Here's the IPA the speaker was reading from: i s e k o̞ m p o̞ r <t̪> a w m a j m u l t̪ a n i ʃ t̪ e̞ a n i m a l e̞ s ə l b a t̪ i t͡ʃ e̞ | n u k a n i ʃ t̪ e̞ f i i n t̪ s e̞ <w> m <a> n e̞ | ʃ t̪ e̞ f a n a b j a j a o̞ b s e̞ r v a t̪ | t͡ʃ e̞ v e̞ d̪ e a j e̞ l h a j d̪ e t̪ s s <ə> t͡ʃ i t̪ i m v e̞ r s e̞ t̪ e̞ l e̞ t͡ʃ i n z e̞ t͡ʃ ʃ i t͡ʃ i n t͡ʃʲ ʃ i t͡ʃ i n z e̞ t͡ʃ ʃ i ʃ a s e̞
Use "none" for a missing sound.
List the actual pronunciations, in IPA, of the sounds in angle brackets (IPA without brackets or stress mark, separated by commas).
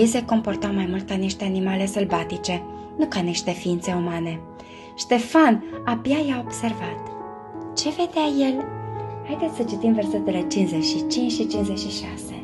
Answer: t̪, u, a, ə